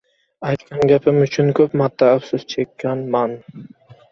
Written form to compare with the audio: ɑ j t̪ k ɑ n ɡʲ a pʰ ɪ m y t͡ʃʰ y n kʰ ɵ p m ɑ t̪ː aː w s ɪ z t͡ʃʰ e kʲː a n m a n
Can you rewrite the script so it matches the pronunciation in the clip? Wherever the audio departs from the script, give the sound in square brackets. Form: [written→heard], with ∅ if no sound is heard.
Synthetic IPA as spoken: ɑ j t̪ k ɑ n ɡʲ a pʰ ɪ m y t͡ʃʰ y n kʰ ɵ p m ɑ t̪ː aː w s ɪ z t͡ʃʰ e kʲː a n m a n